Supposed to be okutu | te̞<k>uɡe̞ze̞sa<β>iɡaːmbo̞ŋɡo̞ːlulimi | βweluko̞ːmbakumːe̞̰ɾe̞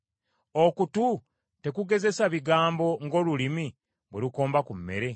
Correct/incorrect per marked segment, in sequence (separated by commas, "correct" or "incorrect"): correct, correct